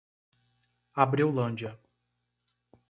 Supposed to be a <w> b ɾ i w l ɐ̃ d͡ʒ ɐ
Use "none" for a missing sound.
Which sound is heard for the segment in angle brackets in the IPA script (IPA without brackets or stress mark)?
none